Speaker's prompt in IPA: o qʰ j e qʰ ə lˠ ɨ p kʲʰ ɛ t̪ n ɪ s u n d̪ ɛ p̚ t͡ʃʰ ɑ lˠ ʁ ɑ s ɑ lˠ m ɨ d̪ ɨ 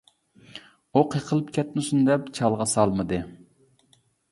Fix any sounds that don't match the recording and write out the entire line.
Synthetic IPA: o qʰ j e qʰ ə lˠ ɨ p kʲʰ ɛ t̪ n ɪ s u n d̪ ɛ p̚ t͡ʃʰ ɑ lˠ ʁ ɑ s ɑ lˠ m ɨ d̪ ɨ